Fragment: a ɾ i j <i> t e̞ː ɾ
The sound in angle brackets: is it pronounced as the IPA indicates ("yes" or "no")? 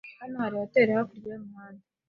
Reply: no